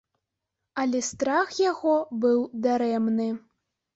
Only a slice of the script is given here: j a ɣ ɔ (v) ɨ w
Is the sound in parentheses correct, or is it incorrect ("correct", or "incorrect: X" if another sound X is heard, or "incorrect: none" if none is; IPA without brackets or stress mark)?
incorrect: b